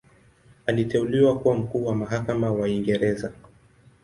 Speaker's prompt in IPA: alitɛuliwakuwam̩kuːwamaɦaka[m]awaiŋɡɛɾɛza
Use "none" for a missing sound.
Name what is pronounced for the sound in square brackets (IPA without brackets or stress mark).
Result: m